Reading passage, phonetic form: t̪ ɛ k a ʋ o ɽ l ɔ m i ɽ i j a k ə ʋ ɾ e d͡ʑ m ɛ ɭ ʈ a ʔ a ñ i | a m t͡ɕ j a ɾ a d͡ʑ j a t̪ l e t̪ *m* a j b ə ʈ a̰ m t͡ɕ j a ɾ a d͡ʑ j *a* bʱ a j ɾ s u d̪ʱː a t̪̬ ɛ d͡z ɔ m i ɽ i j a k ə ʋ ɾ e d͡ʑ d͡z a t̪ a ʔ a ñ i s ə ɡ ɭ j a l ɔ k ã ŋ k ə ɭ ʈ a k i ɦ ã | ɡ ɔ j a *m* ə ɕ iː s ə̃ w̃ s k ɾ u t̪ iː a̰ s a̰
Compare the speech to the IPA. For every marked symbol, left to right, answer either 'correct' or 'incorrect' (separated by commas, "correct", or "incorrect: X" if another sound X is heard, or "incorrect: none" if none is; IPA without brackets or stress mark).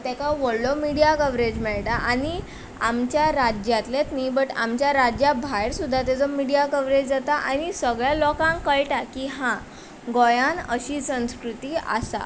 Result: incorrect: n, correct, incorrect: n